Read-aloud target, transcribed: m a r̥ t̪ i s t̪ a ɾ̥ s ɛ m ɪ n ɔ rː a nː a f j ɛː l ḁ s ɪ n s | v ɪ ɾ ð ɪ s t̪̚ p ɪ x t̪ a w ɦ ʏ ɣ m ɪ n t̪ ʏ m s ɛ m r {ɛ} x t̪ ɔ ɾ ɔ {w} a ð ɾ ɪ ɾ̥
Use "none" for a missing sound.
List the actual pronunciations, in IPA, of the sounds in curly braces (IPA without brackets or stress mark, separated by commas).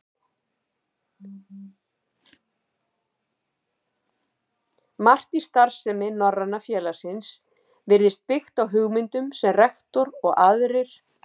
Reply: ɛ, ɣ